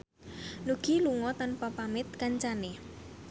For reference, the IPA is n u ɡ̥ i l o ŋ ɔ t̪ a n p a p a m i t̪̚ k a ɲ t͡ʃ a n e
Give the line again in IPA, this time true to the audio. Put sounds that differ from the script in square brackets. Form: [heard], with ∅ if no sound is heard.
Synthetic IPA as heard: n u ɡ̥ i l [u] ŋ ɔ t̪ a n p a p a m [ɪ] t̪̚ k a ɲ t͡ʃ a n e